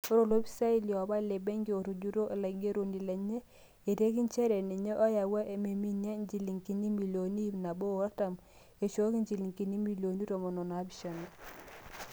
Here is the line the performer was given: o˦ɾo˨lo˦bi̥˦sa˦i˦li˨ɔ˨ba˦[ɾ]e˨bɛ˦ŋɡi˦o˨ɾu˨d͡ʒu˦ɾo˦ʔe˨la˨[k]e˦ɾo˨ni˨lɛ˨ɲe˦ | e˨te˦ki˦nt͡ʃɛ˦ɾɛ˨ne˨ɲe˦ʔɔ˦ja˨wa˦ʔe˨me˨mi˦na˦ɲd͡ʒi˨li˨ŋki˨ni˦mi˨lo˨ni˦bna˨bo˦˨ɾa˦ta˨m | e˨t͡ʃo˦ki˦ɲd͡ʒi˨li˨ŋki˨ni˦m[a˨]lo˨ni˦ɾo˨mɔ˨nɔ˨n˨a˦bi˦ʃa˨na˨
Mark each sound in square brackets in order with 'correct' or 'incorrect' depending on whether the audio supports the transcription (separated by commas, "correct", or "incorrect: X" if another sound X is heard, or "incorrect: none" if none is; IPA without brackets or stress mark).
incorrect: l, incorrect: ɡ, incorrect: i˨